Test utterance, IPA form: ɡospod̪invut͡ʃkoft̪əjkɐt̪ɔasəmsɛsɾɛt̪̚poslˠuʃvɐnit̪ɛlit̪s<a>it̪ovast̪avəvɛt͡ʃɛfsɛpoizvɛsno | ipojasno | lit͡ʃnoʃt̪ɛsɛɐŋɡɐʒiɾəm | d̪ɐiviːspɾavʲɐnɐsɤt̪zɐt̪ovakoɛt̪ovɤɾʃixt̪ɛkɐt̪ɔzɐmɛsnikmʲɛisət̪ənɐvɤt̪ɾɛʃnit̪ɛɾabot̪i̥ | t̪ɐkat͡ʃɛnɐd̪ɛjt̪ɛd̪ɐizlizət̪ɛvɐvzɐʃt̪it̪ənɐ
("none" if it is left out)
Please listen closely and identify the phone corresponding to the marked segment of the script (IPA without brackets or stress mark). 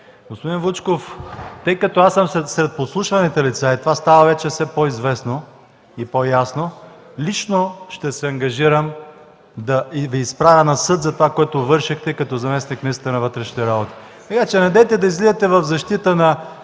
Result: a